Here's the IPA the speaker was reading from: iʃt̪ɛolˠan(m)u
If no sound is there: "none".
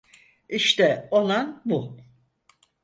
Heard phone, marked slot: b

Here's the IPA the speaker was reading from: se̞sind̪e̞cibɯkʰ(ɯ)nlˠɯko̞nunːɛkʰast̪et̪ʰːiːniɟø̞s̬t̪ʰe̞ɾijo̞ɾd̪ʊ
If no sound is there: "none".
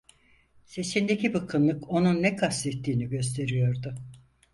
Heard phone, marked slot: ɯ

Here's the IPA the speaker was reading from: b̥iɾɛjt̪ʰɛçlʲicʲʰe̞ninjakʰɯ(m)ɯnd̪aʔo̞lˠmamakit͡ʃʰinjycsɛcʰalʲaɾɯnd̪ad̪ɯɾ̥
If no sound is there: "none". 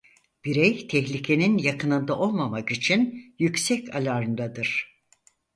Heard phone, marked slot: n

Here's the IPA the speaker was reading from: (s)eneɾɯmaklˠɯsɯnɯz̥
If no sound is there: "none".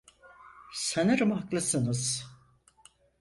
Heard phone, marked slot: s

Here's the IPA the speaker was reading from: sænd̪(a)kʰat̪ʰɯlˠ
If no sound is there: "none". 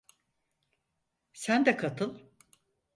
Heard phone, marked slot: ɛ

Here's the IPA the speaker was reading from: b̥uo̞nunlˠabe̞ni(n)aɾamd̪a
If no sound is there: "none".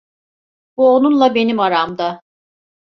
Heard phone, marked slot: m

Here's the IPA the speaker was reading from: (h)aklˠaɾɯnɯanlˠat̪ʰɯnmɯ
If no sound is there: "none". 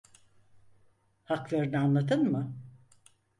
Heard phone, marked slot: h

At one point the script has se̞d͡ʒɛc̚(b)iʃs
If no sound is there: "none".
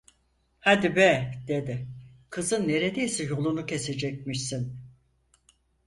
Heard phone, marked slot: m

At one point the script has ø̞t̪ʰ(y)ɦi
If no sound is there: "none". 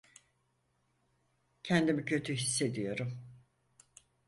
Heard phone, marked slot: y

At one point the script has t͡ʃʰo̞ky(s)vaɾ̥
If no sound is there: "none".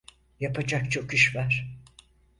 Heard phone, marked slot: ʃ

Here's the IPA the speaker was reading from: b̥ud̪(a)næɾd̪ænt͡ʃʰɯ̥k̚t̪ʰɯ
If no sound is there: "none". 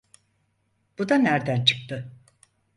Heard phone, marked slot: a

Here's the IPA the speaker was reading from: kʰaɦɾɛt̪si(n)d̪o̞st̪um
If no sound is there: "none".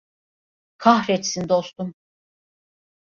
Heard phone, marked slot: n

